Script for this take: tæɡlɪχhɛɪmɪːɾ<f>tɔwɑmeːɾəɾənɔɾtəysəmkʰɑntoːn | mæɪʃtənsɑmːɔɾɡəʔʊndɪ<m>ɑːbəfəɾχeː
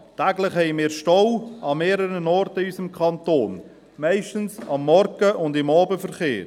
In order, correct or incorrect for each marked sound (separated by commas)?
incorrect, correct